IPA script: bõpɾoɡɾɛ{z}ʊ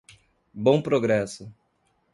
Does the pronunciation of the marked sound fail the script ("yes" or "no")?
yes